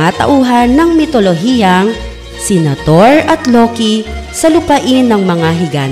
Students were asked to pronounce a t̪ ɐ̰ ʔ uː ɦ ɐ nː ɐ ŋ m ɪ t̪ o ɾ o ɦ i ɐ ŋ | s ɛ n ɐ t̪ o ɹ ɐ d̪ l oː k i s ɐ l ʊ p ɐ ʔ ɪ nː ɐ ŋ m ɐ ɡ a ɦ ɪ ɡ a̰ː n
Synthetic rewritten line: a t̪ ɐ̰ ʔ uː ɦ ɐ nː ɐ ŋ m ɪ t̪ o l o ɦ i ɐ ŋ | s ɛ n ɐ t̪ o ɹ ɐ t̪ l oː k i s ɐ l ʊ p ɐ ʔ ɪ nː ɐ ŋ m ɐ ŋ a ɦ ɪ ɡ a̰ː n